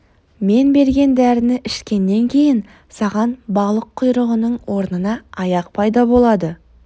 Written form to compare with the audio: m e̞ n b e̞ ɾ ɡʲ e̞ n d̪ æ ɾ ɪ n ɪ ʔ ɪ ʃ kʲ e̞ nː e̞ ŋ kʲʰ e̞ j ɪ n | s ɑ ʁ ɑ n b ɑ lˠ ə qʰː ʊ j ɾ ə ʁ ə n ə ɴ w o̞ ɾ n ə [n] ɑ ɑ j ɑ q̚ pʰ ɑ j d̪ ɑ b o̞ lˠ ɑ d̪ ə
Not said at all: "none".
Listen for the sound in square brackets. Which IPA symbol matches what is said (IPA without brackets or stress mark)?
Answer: n